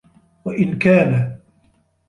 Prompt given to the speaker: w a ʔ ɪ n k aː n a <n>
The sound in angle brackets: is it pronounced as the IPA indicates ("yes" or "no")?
no